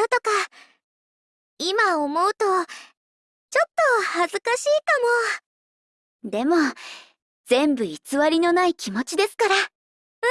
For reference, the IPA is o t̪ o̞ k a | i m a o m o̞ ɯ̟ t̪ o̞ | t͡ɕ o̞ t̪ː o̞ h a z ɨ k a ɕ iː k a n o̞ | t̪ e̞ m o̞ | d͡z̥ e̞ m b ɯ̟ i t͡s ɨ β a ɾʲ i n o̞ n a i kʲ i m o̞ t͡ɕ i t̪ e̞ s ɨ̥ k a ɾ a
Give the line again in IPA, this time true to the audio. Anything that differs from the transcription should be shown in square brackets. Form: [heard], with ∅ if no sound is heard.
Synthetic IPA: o t̪ o̞ k a | i m a o m o̞ ɯ̟ t̪ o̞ | t͡ɕ o̞ t̪ː o̞ h a z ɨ k a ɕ iː k a [m] o̞ | [d̪] e̞ m o̞ | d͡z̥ [ẽ̞] m b ɯ̟ i t͡s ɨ β a ɾʲ i n o̞ n a i kʲ i m o̞ t͡ɕ i [d̪] e̞ s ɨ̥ k a ɾ a

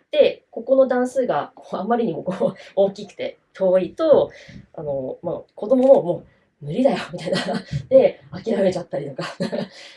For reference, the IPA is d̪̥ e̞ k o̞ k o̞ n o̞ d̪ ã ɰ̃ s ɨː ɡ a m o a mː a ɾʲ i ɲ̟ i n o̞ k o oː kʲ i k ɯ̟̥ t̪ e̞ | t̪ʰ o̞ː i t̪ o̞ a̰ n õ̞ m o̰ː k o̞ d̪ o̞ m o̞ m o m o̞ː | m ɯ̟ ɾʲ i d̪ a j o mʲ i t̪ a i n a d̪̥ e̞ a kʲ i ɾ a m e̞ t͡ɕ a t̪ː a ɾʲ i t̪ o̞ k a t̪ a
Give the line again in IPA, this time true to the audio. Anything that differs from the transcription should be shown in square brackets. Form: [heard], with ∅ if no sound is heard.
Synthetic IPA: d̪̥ e̞ k o̞ k o̞ n o̞ d̪ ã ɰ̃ s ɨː ɡ a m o a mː a ɾʲ i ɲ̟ i [m] o̞ k o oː kʲ i k ɯ̟̥ t̪ e̞ | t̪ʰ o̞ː i t̪ o̞ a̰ n [o̞] m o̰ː k o̞ d̪ o̞ m o̞ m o m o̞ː | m ɯ̟ ɾʲ i d̪ a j o mʲ i t̪ a i n a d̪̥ e̞ a kʲ i ɾ a m e̞ t͡ɕ a t̪ː a ɾʲ i t̪ o̞ k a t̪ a

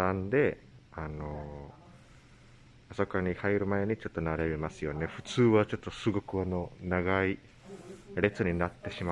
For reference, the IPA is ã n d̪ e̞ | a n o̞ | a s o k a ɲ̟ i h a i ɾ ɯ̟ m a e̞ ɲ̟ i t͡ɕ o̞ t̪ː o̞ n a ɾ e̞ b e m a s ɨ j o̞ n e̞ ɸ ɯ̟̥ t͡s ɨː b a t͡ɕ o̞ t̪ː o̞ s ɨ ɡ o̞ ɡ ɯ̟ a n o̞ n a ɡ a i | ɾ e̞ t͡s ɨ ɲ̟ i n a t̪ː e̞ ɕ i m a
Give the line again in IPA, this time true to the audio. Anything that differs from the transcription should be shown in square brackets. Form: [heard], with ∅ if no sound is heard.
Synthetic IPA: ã n d̪ e̞ | a n o̞ | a s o k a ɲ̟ i h a i ɾ ɯ̟ m a e̞ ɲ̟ i t͡ɕ o̞ t̪ː o̞ n a ɾ e̞ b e m a s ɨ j o̞ n e̞ ɸ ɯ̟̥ t͡s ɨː [β] a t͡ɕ o̞ t̪ː o̞ s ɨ ɡ o̞ [k] ɯ̟ a n o̞ n a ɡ a i | ɾ e̞ t͡s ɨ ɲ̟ i n a t̪ː e̞ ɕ i m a

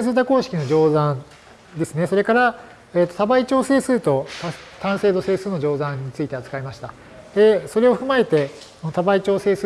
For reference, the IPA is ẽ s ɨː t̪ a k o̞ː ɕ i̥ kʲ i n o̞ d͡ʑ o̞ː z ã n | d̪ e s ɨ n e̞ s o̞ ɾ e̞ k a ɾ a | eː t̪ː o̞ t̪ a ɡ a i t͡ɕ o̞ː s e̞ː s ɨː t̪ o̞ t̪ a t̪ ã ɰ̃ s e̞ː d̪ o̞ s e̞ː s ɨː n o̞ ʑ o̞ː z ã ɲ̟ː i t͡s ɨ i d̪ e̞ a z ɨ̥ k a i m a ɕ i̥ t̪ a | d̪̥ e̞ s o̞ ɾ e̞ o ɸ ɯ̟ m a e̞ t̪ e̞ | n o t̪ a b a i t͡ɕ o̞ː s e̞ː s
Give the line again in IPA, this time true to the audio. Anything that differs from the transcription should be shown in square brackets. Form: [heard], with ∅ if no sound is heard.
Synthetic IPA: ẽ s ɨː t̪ a k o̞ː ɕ i̥ kʲ i n o̞ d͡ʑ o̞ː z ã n | d̪ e s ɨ n e̞ s o̞ ɾ e̞ k a ɾ a | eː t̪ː o̞ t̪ a [b] a i t͡ɕ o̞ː s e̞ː s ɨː t̪ o̞ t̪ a t̪ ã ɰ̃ s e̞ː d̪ o̞ s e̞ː s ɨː n o̞ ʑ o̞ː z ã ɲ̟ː i t͡s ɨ i [t̪] e̞ a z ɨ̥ k a i m a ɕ i̥ t̪ a | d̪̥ e̞ s o̞ ɾ e̞ o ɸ ɯ̟ m a e̞ t̪ e̞ | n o t̪ a b a i t͡ɕ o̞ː s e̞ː s

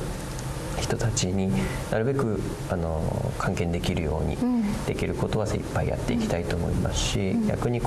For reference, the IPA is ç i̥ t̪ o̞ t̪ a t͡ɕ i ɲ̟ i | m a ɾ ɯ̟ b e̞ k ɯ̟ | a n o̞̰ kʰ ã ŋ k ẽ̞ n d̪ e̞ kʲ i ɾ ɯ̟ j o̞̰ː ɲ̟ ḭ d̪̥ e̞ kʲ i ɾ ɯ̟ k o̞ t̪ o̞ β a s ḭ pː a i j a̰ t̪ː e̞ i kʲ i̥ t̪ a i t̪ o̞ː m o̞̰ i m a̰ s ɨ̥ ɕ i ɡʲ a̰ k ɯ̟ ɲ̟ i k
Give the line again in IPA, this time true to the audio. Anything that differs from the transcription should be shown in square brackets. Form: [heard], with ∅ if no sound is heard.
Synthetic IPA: ç i̥ t̪ o̞ t̪ a t͡ɕ i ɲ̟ i | [n] a ɾ ɯ̟ b e̞ k ɯ̟ | a n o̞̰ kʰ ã ŋ k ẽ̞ n d̪ e̞ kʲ i ɾ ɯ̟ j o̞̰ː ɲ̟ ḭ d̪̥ e̞ kʲ i ɾ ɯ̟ k o̞ t̪ o̞ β a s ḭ pː a i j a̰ t̪ː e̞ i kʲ i̥ t̪ a i t̪ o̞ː m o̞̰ i m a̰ s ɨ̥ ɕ i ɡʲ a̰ k ɯ̟ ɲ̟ i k

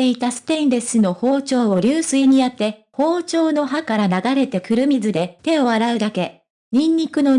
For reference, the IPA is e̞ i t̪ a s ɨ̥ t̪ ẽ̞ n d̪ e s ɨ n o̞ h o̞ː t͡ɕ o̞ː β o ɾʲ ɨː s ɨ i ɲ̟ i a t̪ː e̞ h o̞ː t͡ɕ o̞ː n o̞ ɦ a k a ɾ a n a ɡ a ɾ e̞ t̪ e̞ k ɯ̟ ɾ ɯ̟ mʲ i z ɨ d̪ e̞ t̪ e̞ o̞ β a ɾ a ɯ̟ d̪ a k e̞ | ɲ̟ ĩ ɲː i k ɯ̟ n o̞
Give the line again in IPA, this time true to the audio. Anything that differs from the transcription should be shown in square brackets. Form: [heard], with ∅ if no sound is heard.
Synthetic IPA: e̞ i t̪ a s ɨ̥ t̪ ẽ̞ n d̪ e s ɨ n o̞ h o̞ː t͡ɕ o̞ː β o ɾʲ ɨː s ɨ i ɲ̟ i a t̪ː e̞ h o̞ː t͡ɕ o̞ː n o̞ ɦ a k a ɾ a n a ɡ a ɾ e̞ t̪ e̞ k ɯ̟ ɾ ɯ̟ mʲ i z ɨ d̪ e̞ t̪ e̞ o̞ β a ɾ a ɯ̟ d̪ a k e̞ | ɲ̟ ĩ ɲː i k ɯ̟ n o̞

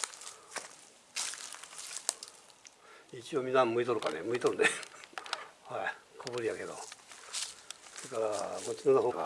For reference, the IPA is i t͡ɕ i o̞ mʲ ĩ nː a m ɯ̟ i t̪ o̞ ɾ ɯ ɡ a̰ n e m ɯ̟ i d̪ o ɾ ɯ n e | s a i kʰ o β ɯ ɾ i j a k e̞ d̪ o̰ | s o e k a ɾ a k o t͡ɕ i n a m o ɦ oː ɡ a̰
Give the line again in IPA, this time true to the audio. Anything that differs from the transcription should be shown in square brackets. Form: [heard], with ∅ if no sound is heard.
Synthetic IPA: i t͡ɕ i o̞ mʲ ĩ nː a m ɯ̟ i t̪ o̞ ɾ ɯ [k] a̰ n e m ɯ̟ i [t̪] o ɾ ɯ n e | [h] a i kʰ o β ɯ ɾ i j a k e̞ d̪ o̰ | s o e k a ɾ a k o t͡ɕ i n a [n] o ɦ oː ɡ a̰

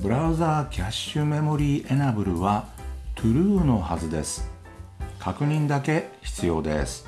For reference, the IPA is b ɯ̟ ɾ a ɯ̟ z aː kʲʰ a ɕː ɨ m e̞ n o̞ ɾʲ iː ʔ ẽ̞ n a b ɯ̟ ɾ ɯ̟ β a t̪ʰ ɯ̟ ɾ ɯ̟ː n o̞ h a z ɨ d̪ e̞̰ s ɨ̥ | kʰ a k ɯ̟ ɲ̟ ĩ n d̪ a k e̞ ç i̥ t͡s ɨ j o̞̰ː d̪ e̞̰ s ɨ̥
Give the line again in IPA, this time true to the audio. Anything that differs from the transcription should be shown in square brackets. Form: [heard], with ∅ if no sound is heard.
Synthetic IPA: b ɯ̟ ɾ a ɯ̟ z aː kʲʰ a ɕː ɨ m e̞ [m] o̞ ɾʲ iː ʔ [e̞] n a b ɯ̟ ɾ ɯ̟ β a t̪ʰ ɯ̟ ɾ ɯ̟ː n o̞ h a z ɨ d̪ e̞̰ s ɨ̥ | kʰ a k ɯ̟ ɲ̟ ĩ n d̪ a k e̞ ç i̥ t͡s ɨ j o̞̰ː d̪ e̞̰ s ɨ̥

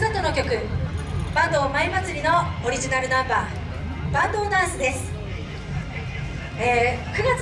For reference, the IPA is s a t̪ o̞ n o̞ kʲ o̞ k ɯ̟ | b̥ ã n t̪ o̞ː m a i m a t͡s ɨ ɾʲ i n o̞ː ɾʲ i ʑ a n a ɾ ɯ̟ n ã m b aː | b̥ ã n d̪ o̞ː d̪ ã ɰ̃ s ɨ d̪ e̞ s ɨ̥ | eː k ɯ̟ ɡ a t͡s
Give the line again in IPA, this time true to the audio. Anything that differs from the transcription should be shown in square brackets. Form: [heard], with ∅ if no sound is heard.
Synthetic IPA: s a t̪ o̞ n o̞ kʲ o̞ k ɯ̟ | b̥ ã n [d̪] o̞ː m a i m a t͡s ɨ ɾʲ i n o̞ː ɾʲ i ʑ [i] n a ɾ ɯ̟ n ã m b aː | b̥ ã n d̪ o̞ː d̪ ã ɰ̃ s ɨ d̪ e̞ s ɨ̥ | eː k ɯ̟ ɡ a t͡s

